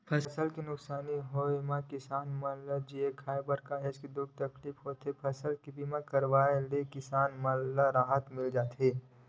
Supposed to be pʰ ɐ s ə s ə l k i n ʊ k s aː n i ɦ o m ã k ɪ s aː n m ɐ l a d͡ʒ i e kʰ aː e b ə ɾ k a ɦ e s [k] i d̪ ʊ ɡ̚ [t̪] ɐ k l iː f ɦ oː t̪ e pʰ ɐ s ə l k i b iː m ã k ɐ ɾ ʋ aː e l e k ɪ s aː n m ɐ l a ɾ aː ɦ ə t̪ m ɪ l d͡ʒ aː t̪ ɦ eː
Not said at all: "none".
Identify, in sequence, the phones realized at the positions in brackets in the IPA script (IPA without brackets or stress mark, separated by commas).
k, t̪